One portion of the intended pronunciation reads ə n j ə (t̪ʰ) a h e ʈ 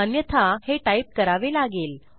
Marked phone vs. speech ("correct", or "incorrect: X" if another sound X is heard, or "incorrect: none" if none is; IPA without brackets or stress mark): correct